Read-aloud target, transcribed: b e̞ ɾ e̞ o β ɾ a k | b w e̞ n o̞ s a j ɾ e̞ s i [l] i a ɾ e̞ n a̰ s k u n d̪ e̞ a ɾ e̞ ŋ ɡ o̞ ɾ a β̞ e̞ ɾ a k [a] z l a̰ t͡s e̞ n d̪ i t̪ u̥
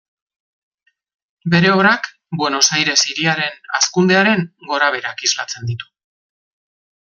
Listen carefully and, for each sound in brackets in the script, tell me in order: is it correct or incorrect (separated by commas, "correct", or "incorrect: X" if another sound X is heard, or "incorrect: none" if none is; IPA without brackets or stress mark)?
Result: incorrect: ɾ, incorrect: i